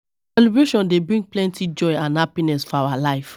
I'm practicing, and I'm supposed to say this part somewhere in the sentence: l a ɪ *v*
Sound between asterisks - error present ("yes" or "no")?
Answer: yes